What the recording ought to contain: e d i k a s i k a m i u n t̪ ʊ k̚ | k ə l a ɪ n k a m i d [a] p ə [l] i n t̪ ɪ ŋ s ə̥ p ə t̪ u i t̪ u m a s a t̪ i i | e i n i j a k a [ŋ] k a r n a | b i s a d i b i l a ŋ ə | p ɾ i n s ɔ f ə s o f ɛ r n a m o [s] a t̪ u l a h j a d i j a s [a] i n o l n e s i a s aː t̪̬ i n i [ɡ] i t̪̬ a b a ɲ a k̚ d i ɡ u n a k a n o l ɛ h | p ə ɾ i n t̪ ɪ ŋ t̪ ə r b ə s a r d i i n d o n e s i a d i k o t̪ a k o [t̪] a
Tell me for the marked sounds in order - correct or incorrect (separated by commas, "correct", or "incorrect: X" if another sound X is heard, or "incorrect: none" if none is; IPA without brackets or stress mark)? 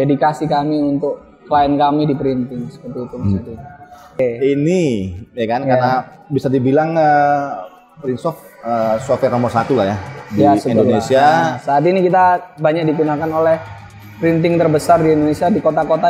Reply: incorrect: i, incorrect: ɾ, incorrect: n, correct, incorrect: ə, incorrect: k, correct